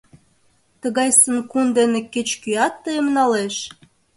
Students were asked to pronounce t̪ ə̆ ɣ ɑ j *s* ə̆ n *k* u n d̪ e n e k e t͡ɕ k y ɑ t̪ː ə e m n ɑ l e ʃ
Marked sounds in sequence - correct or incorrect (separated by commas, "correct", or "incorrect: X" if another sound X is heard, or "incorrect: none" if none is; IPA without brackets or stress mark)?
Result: correct, correct